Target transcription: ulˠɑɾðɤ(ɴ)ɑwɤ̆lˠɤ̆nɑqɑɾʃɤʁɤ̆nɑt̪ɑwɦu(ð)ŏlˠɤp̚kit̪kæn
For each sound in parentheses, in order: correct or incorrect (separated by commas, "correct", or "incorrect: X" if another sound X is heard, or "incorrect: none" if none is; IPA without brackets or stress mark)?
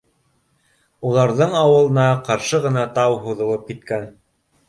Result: correct, correct